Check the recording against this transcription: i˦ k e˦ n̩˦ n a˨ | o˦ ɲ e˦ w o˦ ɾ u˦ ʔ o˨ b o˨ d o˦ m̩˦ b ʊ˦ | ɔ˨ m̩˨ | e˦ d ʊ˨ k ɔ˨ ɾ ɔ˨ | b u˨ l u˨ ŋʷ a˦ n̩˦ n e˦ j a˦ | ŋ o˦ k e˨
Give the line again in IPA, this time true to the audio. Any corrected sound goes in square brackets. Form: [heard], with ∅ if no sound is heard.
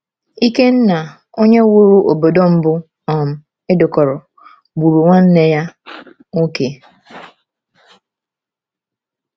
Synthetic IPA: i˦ k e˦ n̩˦ n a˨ | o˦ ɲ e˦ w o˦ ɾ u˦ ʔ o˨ b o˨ d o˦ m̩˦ b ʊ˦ | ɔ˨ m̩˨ | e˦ d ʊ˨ k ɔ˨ ɾ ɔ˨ | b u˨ [ɾ] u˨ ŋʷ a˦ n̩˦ n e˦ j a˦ | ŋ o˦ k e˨

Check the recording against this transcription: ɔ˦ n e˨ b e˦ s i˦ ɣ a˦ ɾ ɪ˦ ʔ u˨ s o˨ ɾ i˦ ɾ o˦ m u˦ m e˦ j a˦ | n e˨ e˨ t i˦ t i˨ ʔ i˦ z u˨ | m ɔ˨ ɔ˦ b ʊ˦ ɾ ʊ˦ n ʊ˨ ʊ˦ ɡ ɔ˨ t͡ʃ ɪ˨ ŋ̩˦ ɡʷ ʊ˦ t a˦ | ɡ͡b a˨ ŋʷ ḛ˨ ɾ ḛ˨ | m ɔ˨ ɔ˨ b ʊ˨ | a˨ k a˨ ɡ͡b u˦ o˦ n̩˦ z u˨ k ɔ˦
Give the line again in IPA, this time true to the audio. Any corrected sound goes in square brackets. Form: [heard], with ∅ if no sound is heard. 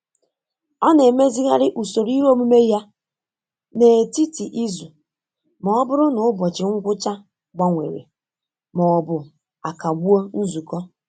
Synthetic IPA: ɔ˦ n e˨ [m] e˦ [z] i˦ ɣ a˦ ɾ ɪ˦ ʔ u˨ s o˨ ɾ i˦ ɾ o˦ m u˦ m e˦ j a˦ | n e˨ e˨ t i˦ t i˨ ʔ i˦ z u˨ | m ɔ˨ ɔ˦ b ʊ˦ ɾ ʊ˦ n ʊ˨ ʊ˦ [b] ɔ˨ t͡ʃ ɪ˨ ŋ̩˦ ɡʷ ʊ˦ [t͡ʃ] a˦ | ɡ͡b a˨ ŋʷ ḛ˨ ɾ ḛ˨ | m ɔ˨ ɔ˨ b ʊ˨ | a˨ k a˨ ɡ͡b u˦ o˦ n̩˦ z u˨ k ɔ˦

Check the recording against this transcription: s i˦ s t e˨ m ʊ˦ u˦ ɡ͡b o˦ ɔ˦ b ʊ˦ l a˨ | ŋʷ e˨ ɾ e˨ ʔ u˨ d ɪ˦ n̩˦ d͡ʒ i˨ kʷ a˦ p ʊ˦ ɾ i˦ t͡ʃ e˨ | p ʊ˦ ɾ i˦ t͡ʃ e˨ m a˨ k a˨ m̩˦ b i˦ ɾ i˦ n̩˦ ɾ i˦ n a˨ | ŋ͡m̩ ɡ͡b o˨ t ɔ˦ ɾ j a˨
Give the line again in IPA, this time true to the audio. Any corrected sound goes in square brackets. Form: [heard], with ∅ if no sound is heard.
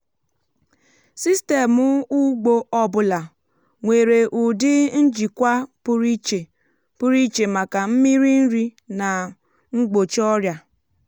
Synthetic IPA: s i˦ s t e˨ m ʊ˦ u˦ ɡ͡b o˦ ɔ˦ b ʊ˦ l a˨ | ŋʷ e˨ ɾ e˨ ʔ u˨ d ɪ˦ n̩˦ d͡ʒ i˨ kʷ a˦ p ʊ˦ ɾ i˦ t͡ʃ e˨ | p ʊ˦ ɾ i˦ t͡ʃ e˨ m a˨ k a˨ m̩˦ [m] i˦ ɾ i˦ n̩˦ ɾ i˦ n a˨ | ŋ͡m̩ ɡ͡b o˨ [t͡ʃ] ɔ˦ ɾ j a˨

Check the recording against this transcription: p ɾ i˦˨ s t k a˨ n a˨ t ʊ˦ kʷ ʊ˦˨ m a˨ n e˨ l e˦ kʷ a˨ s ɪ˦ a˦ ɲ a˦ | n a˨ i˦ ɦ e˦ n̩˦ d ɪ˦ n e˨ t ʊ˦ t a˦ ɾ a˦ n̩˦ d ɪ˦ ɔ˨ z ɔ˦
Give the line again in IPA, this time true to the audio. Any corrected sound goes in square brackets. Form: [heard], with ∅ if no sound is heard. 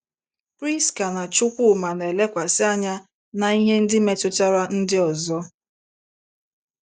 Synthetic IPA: p ɾ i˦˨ s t k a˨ n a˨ [t͡ʃ] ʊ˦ kʷ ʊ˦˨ m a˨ n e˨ l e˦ kʷ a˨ s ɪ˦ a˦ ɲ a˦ | n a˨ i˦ ɦ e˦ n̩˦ d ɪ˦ [m] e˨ t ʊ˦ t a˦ ɾ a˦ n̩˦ d ɪ˦ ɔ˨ z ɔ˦

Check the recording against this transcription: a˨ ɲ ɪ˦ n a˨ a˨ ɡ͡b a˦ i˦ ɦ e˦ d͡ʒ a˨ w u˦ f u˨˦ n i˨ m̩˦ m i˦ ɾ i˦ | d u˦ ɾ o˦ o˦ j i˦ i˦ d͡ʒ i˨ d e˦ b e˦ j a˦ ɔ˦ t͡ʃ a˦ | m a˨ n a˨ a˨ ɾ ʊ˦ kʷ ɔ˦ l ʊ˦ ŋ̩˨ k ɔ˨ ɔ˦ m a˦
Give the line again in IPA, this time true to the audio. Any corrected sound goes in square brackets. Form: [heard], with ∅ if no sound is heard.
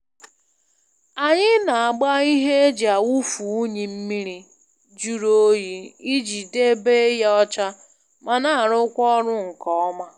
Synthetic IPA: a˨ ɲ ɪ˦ n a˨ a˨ ɡ͡b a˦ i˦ ɦ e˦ d͡ʒ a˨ w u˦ f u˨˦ [ɲ] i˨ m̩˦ m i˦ ɾ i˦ | [d͡ʒ] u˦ ɾ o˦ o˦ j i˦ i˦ d͡ʒ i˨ d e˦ b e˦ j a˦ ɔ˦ t͡ʃ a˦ | m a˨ n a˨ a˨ ɾ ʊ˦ kʷ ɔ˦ [ɾ] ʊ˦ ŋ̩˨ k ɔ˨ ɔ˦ m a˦

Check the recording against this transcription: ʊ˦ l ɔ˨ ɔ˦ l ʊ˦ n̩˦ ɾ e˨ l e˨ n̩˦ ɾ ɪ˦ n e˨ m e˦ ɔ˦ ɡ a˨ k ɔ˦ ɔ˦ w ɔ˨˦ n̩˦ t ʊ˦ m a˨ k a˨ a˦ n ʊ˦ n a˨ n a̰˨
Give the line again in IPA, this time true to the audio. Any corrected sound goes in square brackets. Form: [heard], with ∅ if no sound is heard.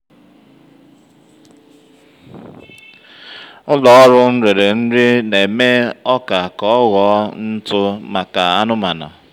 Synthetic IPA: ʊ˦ l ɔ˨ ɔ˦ [ɾ] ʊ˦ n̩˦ ɾ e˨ [ɾ] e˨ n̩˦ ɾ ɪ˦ n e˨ m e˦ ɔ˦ [k] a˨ k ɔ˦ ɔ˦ [ɣ] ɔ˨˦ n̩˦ t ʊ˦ m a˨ k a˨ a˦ n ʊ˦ [m] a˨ n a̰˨

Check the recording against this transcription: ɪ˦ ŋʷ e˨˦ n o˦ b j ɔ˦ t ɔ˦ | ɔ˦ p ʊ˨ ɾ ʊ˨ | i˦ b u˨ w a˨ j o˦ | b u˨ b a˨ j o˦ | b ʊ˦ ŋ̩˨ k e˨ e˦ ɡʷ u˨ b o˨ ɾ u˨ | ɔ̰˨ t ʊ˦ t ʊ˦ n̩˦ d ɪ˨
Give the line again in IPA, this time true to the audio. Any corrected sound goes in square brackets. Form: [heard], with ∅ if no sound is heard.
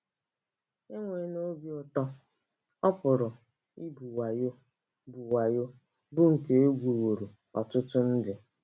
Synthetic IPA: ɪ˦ ŋʷ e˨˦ n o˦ b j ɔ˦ t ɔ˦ | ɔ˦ p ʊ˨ ɾ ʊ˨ | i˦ b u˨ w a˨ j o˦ | b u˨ [w] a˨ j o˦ | b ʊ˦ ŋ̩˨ k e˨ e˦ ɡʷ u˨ [w] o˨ ɾ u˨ | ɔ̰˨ t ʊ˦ t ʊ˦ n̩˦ d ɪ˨

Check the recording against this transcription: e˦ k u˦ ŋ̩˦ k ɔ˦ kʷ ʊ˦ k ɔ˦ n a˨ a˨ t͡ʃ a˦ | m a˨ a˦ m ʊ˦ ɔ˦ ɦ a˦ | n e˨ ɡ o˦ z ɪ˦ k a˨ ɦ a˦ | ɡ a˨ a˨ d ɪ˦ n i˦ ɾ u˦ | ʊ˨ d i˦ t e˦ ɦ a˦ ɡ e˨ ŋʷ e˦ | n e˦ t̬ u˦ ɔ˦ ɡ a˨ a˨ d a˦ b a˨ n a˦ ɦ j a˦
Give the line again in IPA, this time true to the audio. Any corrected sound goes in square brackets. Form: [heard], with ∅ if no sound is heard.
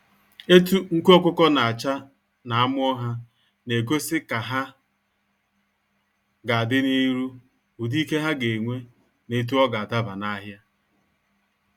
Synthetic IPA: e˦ [t] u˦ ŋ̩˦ k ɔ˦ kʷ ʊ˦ k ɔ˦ n a˨ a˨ t͡ʃ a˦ | [n] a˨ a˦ m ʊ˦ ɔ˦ ɦ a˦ | n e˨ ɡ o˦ [s] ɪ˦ k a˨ ɦ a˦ | ɡ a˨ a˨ d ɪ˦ n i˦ ɾ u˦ | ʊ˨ d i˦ [k] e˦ ɦ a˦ ɡ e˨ ŋʷ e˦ | n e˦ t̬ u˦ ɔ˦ ɡ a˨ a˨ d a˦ b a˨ n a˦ ɦ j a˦

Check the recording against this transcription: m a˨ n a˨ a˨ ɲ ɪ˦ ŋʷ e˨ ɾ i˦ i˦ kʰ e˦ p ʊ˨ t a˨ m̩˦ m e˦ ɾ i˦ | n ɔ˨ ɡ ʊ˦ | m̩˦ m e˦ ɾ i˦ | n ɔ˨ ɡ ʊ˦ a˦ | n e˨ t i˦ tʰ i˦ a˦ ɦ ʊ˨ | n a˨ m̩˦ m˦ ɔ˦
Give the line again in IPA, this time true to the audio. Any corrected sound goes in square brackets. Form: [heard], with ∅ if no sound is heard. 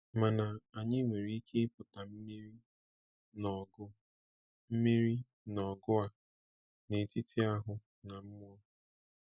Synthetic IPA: m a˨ n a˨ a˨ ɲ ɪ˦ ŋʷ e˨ ɾ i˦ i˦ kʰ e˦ p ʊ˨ t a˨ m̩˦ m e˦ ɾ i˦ | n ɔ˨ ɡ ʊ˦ | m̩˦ m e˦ ɾ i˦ | n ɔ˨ ɡ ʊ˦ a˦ | n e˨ t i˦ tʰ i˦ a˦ ɦ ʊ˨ | n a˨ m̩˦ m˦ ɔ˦

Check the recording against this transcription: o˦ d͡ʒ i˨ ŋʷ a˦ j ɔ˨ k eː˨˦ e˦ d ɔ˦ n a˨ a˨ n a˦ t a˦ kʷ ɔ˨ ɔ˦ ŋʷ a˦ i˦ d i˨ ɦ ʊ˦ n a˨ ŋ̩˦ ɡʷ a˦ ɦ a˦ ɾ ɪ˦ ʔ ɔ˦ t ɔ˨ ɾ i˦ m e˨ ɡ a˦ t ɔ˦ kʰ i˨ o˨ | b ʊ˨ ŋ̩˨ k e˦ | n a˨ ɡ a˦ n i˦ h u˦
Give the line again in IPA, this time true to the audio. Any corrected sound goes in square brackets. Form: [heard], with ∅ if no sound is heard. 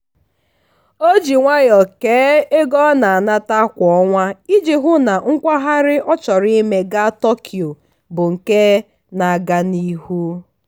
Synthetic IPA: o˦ d͡ʒ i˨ ŋʷ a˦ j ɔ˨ k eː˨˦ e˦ [ɡ] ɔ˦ n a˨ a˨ n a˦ t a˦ kʷ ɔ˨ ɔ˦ ŋʷ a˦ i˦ [d͡ʒ] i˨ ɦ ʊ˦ n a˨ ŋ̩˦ [kʷ] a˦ ɦ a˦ ɾ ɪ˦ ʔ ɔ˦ [t͡ʃ] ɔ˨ ɾ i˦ m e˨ ɡ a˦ t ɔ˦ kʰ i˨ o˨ | b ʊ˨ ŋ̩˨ k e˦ | n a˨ ɡ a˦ n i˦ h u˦

